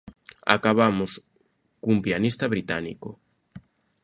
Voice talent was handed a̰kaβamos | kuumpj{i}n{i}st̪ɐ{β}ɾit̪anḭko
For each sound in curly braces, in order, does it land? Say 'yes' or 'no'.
no, yes, yes

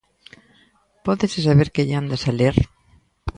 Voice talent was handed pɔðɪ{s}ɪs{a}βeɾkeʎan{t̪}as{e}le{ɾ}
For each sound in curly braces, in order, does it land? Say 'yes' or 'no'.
yes, yes, no, no, yes

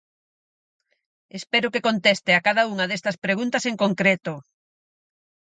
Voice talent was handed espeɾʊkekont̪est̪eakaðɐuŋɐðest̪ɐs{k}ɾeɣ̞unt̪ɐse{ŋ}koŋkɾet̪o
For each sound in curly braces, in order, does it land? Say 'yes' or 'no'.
no, yes

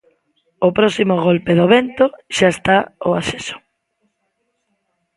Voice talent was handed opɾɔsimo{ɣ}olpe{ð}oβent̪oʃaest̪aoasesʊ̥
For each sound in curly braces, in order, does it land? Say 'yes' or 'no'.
yes, yes

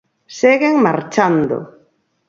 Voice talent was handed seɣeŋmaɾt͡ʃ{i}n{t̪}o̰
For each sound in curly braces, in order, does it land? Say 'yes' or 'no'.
no, no

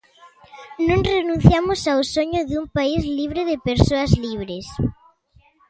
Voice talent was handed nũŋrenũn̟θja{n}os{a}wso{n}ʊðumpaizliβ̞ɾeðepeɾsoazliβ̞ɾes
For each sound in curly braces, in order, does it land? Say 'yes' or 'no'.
no, yes, no

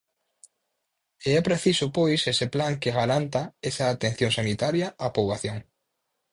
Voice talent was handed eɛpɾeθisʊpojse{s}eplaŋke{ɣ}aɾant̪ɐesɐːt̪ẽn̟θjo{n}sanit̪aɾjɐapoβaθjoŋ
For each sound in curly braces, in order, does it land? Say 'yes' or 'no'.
yes, yes, no

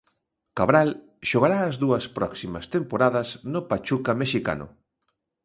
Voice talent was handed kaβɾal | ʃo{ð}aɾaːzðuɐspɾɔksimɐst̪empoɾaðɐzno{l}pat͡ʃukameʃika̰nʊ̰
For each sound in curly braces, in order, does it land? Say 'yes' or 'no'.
no, no

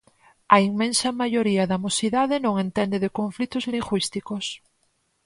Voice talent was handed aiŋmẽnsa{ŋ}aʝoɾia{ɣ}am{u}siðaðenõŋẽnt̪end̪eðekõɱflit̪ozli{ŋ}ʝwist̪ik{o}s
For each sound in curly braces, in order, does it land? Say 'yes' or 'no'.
no, no, no, yes, yes

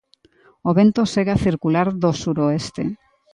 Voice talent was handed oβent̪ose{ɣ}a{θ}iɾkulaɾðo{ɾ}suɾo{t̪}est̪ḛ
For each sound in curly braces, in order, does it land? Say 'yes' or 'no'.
yes, yes, no, no

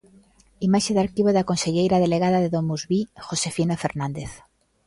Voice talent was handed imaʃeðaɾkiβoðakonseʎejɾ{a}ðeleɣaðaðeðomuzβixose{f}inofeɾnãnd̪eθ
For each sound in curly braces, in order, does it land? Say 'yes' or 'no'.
yes, yes

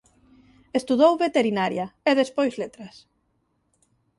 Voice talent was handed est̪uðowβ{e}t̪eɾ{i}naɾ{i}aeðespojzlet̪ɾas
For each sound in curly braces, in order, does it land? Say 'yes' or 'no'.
yes, yes, no

